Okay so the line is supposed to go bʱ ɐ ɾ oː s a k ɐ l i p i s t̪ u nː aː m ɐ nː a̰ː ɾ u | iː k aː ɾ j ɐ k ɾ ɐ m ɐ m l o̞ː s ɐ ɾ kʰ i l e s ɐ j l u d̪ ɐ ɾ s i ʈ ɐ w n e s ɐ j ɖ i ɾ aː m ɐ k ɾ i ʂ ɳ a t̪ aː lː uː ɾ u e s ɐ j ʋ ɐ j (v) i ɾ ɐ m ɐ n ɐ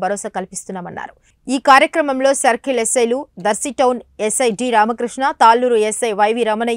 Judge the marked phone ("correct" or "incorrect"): incorrect